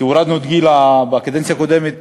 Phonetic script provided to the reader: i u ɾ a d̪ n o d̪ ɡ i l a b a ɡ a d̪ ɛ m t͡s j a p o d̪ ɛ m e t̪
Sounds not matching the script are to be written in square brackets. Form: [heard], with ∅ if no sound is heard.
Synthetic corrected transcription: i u ɾ a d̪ n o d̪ ɡ i l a b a [k] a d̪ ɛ [n] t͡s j a [k] o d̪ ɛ m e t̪